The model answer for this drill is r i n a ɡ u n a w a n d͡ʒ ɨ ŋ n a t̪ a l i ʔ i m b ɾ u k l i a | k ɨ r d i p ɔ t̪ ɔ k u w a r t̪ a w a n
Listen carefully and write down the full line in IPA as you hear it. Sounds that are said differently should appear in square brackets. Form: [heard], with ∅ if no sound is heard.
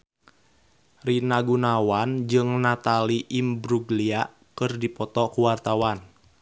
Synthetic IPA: r i n a ɡ u n a w a n d͡ʒ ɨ ŋ n a t̪ a l i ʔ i m b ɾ u [ɡ] l i a | k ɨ r d i p ɔ t̪ ɔ k u w a r t̪ a w a n